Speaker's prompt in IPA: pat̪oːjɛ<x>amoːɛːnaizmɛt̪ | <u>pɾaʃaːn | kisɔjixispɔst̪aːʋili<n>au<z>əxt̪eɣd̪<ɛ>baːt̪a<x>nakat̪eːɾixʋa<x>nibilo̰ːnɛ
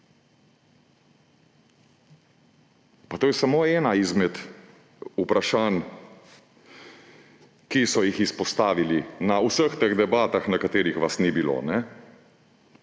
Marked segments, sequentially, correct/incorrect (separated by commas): incorrect, correct, correct, incorrect, correct, correct, incorrect